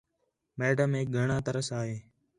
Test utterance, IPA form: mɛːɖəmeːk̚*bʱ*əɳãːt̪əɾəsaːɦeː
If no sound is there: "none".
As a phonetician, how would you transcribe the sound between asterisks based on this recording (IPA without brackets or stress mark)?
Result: ɡʱ